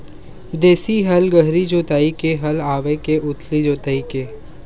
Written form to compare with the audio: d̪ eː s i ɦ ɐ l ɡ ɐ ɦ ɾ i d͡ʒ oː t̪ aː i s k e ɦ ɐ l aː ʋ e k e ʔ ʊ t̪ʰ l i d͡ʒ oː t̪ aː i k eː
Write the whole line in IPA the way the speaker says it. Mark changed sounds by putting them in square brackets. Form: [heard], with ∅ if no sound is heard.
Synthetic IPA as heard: d̪ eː s i ɦ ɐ l ɡ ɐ ɦ ɾ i d͡ʒ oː t̪ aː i [∅] k e ɦ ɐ l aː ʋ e k e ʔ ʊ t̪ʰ l i d͡ʒ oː t̪ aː i k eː